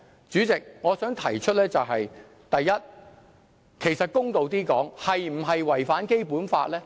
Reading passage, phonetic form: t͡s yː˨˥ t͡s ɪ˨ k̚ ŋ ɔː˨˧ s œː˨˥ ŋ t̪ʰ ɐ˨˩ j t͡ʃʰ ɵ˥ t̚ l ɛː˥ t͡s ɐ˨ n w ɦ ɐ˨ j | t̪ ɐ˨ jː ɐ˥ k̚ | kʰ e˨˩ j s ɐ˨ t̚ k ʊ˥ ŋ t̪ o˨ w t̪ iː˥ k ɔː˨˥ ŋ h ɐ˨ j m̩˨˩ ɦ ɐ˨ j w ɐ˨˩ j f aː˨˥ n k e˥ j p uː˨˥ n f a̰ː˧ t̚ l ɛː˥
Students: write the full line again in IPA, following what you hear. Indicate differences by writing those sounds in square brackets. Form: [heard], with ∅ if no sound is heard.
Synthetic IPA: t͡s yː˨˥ t͡s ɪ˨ k̚ ŋ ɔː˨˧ s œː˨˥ ŋ t̪ʰ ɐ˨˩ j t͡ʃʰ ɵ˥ t̚ l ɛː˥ t͡s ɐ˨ [∅] w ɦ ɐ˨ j | t̪ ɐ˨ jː ɐ˥ [t̚] | kʰ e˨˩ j s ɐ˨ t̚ k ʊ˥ ŋ t̪ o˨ w t̪ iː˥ k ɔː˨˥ ŋ h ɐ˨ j m̩˨˩ ɦ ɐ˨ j w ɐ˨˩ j f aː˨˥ n k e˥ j p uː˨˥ n f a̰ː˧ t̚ l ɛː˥

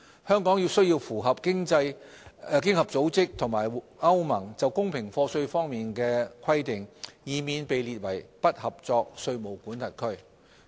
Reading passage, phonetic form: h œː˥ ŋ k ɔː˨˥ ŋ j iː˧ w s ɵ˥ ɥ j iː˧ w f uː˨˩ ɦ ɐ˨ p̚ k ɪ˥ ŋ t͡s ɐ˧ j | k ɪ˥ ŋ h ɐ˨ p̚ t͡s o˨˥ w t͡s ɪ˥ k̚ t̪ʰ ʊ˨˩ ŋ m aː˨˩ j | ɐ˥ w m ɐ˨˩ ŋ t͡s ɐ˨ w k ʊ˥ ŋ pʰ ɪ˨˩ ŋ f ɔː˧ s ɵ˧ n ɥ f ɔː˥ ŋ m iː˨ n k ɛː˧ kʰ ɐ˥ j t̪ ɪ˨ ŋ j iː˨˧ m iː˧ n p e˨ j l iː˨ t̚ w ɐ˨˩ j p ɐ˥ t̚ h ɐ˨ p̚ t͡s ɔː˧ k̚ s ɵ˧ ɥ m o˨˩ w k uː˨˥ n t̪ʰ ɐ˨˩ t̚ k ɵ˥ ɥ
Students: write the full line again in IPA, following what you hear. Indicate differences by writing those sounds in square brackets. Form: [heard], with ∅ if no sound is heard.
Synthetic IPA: h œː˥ ŋ k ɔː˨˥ ŋ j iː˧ w s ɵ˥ ɥ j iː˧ w f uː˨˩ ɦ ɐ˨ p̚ k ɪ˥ ŋ t͡s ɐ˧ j | k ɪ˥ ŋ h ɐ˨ p̚ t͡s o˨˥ w t͡s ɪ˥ k̚ t̪ʰ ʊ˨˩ ŋ m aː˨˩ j | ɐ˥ w m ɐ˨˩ ŋ t͡s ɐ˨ w k ʊ˥ ŋ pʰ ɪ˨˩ ŋ f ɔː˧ s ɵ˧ [∅] ɥ f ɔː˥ ŋ m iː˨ n k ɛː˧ kʰ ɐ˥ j t̪ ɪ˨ ŋ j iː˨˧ m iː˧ n p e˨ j l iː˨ t̚ w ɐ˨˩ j p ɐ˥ t̚ h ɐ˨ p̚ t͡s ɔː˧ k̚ s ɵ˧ ɥ m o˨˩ w k uː˨˥ n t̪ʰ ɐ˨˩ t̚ [kʰ] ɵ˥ ɥ

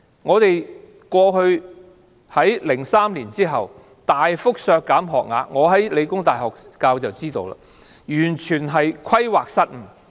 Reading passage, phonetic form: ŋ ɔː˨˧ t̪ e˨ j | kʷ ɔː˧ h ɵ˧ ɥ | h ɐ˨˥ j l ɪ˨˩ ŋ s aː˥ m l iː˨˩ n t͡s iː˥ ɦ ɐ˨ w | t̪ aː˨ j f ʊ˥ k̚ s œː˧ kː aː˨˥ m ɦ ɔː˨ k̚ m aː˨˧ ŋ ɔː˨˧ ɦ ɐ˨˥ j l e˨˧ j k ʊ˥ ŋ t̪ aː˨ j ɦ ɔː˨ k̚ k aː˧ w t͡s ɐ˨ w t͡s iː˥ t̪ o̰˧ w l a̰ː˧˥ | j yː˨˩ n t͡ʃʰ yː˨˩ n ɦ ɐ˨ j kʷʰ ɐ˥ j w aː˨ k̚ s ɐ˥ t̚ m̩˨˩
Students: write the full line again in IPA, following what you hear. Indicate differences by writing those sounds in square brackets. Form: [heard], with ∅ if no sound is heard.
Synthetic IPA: ŋ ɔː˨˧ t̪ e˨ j | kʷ ɔː˧ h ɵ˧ ɥ | h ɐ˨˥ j l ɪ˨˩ ŋ s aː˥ m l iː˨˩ n t͡s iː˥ ɦ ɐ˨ w | t̪ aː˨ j f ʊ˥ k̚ s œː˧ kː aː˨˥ m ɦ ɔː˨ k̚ [ŋ] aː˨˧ ŋ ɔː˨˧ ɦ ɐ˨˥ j l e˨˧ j k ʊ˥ ŋ t̪ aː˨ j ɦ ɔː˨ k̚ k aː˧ w t͡s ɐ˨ w t͡s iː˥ t̪ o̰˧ w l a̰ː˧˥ | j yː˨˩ n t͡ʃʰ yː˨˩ n ɦ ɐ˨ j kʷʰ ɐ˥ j w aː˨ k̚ s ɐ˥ t̚ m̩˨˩

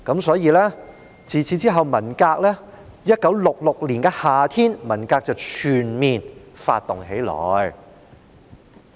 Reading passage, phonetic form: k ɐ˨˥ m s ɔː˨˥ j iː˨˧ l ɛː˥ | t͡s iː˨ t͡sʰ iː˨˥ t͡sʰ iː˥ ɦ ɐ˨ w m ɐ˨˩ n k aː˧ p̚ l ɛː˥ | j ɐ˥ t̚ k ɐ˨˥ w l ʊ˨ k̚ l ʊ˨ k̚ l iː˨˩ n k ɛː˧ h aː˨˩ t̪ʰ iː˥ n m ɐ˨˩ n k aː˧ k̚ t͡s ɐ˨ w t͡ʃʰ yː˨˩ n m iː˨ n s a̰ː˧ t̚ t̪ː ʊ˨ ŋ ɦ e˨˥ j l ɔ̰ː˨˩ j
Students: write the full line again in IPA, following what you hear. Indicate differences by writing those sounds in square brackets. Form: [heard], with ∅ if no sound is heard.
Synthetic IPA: k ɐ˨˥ m s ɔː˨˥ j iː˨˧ l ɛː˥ | t͡s iː˨ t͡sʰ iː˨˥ [t͡s] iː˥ ɦ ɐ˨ w m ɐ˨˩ n k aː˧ [k̚] l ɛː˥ | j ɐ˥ t̚ k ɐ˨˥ w l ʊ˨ k̚ l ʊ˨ k̚ l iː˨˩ n k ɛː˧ h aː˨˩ t̪ʰ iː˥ n m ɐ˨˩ n k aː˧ k̚ t͡s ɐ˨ w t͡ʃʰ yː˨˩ n m iː˨ n [f] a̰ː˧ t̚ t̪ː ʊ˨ ŋ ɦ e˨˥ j l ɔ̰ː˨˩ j

